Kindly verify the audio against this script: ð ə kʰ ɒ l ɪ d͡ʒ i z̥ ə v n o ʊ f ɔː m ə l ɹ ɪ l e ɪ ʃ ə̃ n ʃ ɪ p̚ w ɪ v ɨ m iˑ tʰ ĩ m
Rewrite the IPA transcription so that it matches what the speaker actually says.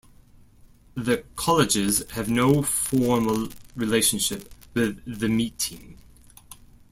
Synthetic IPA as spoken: ð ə kʰ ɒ l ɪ d͡ʒ ɪ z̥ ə v n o ʊ f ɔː m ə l ɹ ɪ l e ɪ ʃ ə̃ n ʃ ɪ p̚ w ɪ ð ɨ m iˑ tʰ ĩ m